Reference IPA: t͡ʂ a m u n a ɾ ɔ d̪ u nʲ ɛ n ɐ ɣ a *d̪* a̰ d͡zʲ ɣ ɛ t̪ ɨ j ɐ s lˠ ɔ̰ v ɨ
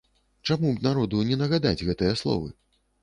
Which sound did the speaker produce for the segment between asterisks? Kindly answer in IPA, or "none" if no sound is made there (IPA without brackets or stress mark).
d̪